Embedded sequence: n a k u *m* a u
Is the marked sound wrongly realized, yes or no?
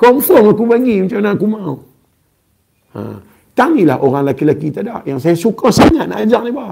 no